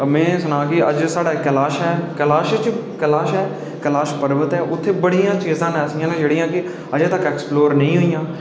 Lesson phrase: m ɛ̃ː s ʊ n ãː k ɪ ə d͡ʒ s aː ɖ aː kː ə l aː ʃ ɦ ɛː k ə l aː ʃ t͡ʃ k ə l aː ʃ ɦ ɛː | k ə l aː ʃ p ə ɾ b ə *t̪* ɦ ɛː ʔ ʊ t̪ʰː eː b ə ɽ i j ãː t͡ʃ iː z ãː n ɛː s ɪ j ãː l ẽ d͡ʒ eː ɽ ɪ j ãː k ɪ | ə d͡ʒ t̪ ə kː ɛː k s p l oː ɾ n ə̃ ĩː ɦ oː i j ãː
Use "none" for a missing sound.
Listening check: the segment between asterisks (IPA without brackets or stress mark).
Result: t̪